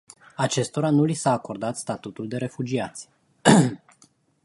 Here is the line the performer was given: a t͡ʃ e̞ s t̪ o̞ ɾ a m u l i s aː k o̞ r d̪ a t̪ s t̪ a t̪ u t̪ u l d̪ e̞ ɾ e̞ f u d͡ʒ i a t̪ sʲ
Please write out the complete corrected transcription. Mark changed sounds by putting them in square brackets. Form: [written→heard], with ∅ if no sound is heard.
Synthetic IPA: a t͡ʃ e̞ s t̪ o̞ ɾ a [m→n] u l i s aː k o̞ r d̪ a t̪ s t̪ a t̪ u t̪ u l d̪ e̞ ɾ e̞ f u d͡ʒ i a t̪ sʲ